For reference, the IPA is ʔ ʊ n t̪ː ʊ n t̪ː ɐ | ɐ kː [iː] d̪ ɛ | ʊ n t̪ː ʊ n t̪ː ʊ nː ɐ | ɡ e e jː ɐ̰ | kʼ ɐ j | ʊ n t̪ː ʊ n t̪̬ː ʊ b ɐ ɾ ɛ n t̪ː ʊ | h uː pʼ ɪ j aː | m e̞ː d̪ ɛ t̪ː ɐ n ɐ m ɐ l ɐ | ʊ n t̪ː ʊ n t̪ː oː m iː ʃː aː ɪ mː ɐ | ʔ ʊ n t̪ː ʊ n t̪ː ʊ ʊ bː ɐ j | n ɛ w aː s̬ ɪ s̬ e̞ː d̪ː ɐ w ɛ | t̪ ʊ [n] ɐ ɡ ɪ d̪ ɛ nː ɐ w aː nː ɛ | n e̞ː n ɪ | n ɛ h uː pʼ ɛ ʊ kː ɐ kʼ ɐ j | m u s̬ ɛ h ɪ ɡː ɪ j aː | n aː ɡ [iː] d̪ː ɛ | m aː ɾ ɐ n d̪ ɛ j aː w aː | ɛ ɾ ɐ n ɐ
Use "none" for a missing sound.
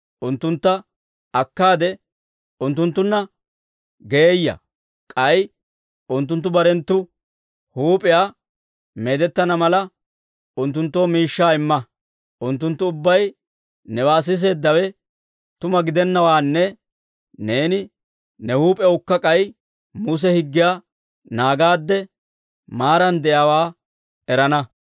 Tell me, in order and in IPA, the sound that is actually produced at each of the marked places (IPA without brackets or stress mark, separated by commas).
aː, m, aː